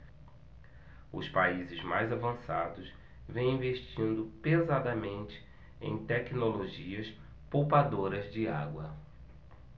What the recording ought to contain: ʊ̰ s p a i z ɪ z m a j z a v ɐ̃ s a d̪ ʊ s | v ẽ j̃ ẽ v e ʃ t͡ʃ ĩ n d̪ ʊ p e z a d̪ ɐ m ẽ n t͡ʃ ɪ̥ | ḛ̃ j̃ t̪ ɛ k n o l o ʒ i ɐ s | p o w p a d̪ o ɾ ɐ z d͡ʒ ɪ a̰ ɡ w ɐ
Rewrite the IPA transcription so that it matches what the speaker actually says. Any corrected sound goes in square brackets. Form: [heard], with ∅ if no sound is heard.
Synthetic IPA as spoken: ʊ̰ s p a i z ɪ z m a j z a v ɐ̃ s a d̪ ʊ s | v ẽ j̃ [ĩ] v e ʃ t͡ʃ ĩ n d̪ ʊ p e z a d̪ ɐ m ẽ n t͡ʃ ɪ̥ | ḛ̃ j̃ t̪ ɛ k n o l o ʒ i ɐ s | p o w p a d̪ o ɾ ɐ z d͡ʒ ɪ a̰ ɡ w ɐ